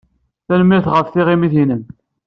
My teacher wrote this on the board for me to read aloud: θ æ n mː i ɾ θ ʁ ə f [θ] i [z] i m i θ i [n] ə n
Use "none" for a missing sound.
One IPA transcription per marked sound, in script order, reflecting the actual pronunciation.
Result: θ, ʁ, n

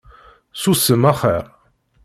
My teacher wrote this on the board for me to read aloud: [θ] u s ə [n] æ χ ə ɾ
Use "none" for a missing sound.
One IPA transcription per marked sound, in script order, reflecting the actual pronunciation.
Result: s, m

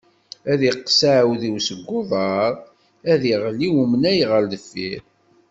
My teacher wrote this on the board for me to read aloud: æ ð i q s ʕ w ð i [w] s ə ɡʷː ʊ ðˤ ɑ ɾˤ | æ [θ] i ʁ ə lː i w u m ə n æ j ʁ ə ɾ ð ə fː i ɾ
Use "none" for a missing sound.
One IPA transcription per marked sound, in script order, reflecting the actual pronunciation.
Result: w, ð

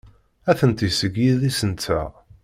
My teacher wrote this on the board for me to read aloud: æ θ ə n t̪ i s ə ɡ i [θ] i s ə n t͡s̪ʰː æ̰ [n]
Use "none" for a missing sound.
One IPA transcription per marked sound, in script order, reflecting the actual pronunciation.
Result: ð, none

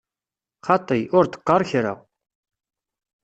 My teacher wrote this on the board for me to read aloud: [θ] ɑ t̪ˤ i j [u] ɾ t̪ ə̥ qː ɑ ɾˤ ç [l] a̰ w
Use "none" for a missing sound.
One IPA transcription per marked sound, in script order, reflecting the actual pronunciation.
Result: χ, ʊ, ɾ

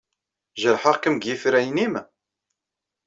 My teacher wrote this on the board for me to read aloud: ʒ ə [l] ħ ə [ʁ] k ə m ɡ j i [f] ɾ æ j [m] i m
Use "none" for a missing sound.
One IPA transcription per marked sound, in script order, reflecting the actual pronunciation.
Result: ɾ, ʁ, f, n

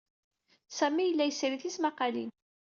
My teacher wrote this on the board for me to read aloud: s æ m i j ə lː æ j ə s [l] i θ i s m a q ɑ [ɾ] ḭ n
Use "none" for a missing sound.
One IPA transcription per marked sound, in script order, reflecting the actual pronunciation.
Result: ɾ, l

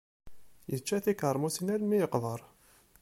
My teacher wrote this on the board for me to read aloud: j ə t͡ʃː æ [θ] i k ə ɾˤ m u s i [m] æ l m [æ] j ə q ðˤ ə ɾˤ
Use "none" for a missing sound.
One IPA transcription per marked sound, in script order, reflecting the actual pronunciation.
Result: θ, n, i

